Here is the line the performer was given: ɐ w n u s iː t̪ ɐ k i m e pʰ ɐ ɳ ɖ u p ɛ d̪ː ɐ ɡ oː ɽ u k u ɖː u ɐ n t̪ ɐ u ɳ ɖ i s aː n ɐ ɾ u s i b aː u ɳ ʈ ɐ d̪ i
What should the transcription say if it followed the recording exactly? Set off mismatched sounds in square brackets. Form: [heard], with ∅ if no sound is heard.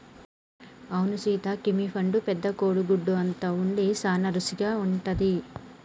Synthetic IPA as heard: ɐ w n u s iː t̪ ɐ k i m [i] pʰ ɐ ɳ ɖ u p ɛ d̪ː ɐ [k] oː ɽ u [ɡ] u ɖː u ɐ n t̪ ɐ u ɳ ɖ i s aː n ɐ ɾ u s i [ɡ] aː u ɳ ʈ ɐ d̪ i